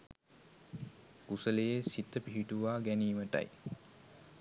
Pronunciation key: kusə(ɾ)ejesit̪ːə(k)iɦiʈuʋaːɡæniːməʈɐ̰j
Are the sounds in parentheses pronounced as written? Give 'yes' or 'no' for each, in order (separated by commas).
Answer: no, no